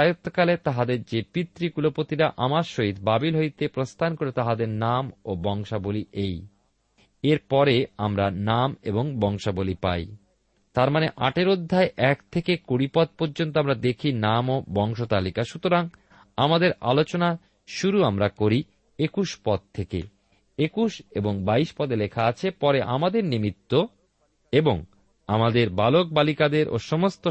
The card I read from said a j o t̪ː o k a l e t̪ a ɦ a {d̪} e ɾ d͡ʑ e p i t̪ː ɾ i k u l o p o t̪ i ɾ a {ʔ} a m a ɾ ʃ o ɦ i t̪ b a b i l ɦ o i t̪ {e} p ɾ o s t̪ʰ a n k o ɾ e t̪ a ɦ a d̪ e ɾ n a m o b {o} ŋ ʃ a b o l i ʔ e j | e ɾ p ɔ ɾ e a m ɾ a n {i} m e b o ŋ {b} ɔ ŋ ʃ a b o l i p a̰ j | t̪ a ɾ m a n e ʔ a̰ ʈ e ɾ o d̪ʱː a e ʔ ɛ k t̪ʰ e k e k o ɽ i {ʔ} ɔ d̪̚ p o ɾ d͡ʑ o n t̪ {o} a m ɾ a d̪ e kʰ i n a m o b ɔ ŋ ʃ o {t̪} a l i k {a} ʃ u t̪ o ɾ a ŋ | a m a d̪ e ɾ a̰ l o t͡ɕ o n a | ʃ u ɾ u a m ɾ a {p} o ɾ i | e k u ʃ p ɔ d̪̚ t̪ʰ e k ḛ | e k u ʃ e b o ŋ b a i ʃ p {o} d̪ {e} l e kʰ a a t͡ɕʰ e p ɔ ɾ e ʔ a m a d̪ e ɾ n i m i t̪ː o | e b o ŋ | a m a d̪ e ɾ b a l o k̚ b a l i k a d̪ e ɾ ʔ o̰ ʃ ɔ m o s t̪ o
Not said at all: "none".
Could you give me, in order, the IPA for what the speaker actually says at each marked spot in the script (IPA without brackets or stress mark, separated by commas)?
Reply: d̪, ʔ, e, ɔ, a, b, p, o, t̪, a, k, ɔ, e